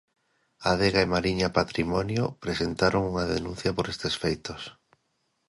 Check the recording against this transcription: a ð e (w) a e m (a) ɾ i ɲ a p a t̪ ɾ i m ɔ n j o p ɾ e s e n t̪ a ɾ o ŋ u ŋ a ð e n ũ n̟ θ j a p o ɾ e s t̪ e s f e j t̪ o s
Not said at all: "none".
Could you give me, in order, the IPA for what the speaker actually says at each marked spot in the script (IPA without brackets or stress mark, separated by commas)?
ɣ, a